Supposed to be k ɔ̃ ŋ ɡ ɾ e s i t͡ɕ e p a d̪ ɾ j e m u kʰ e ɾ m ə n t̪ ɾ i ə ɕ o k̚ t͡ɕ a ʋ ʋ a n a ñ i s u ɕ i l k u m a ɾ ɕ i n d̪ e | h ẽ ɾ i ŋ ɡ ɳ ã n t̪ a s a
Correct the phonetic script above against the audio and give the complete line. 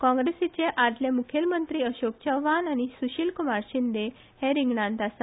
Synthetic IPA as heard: k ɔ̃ ŋ ɡ ɾ e s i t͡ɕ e ʔ a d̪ l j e m u kʰ e l m ə n t̪ ɾ i ə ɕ o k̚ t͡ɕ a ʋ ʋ a n a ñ i s u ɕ i l k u m a ɾ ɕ i n d̪ e | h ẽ ɾ i ŋ ɡ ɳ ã n t̪ a s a

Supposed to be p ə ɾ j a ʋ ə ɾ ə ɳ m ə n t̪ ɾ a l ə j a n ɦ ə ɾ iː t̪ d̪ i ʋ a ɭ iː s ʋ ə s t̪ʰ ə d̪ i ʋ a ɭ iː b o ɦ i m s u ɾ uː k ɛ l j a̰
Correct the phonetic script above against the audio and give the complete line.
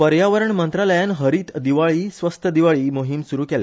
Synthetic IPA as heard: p ə ɾ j a ʋ ə ɾ ə ɳ m ə n t̪ ɾ a l ə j a n ɦ ə ɾ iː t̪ d̪ i ʋ a ɭ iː s ʋ ə s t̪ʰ ə d̪ i ʋ a ɭ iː m o ɦ i m s u ɾ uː k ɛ l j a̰

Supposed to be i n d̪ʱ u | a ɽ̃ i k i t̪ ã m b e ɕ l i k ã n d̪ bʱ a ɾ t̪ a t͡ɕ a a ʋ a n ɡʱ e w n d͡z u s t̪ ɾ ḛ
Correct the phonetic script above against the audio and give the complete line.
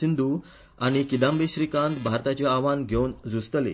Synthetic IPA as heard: i n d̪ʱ u | a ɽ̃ i k i d̪ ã m b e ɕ ɾ i k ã n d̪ bʱ a ɾ t̪ a t͡ɕ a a ʋ a n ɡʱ e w n d͡z u s t̪ l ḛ

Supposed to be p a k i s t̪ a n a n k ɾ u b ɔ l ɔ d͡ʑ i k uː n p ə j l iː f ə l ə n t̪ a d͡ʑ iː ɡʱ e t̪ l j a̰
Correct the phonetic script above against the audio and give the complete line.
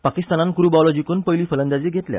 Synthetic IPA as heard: p a k i s t̪ a n a n k ɾ u b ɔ l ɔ d͡ʑ i k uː n p ə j l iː f ə l ə n d̪ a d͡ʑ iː ɡʱ e t̪ l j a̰

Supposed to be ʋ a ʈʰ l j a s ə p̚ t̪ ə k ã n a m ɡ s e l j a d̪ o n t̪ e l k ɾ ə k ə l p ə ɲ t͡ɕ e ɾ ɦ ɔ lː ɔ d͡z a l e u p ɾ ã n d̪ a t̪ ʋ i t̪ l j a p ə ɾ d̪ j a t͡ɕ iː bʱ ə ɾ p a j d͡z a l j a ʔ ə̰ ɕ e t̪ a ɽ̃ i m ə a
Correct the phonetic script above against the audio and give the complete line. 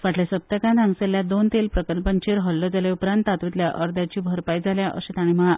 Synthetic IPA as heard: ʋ a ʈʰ l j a s ə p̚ t̪ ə k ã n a ŋ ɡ s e l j a d̪ o n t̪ e l p ɾ ə k ə l p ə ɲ t͡ɕ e ɾ ɦ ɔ lː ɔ d͡z a l e u p ɾ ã n t̪ a t̪ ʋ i t̪ l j a ʔ ə ɾ d̪ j a t͡ɕ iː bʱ ə ɾ p a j d͡z a l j a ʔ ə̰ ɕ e t̪ a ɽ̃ i m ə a

